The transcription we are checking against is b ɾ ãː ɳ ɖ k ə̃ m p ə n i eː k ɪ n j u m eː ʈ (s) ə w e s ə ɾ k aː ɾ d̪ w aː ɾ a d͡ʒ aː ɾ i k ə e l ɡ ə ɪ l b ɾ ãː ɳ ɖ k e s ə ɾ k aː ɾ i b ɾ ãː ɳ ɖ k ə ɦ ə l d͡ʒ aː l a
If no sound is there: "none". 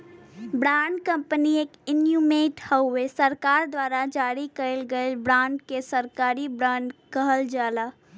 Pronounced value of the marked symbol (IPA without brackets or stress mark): h